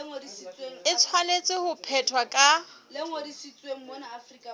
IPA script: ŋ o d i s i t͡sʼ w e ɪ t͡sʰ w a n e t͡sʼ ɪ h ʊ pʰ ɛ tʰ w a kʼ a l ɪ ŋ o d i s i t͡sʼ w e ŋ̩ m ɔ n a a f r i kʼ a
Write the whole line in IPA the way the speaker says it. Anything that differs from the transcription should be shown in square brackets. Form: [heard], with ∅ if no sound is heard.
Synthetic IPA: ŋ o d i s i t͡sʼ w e ɪ t͡sʰ w a n e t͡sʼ ɪ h ʊ pʰ ɛ tʰ w a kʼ a l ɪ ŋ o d i s i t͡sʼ w e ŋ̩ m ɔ n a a f r i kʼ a